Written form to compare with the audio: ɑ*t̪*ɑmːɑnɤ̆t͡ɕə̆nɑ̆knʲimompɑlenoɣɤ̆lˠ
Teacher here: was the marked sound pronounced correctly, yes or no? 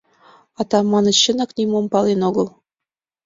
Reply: yes